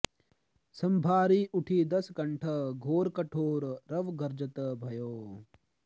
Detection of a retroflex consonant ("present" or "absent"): present